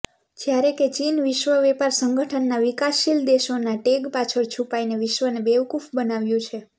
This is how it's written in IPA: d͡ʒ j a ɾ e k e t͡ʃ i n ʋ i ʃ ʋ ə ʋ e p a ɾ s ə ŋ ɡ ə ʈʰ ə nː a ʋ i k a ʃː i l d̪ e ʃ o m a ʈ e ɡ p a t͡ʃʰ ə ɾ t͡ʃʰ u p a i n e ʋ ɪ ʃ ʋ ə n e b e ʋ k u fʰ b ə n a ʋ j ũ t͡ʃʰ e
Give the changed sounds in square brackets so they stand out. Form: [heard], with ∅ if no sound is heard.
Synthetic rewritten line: d͡ʒ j a ɾ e k e t͡ʃ i n ʋ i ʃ ʋ ə ʋ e p a ɾ s ə ŋ ɡ ə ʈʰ ə nː a ʋ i k a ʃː i l d̪ e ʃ o [n] a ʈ e ɡ p a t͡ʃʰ ə ɾ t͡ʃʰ u p a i n e ʋ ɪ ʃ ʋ ə n e b e ʋ k u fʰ b ə n a ʋ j ũ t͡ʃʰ e